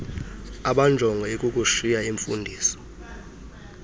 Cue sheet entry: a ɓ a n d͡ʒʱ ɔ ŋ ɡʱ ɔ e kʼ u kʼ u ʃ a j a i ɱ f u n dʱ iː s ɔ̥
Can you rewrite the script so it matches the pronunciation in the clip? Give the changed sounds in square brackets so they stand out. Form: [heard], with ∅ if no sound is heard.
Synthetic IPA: a ɓ a n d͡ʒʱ ɔ ŋ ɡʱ ɔ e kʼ u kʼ u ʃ [i] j a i ɱ f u n dʱ iː s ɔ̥